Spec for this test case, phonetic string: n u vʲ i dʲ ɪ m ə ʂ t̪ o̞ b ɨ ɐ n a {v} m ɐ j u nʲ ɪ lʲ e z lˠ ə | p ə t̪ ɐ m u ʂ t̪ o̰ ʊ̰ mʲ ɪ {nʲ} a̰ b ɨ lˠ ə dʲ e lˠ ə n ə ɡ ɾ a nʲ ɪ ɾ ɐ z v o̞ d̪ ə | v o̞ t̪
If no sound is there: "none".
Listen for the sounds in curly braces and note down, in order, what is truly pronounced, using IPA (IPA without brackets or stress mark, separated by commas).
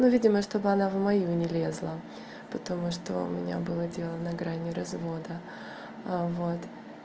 v, nʲ